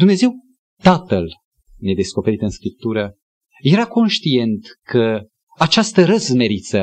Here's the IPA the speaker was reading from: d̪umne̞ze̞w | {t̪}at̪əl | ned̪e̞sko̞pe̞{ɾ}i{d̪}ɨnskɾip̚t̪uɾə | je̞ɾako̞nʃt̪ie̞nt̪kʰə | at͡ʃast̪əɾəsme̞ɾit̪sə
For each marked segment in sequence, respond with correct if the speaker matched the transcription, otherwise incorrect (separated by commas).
correct, correct, incorrect